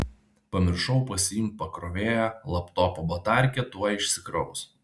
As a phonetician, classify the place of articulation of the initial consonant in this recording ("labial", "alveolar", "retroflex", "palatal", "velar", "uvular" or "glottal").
labial